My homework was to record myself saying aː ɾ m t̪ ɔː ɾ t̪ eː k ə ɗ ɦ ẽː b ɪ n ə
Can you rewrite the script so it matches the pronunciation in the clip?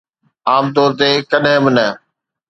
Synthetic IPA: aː m t̪ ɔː ɾ t̪ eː k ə ɗ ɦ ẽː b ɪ n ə